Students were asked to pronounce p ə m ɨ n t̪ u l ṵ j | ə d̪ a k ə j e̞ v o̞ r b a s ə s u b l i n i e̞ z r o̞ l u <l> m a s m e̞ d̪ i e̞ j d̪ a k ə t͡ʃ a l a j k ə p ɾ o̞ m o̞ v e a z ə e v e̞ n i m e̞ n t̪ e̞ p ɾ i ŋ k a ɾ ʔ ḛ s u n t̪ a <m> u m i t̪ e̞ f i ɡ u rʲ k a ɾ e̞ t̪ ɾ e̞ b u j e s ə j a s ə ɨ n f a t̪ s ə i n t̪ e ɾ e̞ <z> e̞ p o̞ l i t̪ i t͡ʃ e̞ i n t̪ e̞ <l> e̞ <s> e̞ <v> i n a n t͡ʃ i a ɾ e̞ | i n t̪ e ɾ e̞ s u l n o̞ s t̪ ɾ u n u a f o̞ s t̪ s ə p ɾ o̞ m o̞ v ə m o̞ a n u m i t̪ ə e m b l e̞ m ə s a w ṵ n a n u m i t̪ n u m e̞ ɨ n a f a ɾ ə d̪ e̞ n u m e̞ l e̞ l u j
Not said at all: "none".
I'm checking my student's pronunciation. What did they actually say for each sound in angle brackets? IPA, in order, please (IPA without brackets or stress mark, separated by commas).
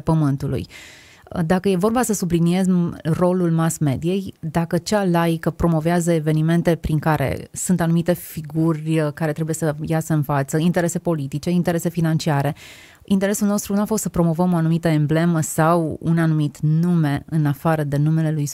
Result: l, n, s, ɾ, s, f